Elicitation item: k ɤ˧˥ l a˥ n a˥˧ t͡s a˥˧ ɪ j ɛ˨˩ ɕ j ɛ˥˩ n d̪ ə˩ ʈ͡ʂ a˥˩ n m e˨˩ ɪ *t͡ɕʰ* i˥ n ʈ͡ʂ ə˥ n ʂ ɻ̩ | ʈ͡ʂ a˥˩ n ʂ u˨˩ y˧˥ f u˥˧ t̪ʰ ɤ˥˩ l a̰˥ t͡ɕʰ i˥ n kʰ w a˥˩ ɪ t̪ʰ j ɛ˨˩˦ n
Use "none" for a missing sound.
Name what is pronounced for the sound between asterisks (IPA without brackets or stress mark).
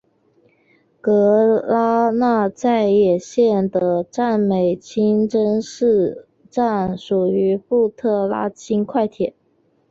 t͡ɕʰ